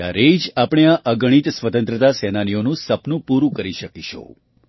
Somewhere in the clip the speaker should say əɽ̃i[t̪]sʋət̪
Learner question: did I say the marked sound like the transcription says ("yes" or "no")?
yes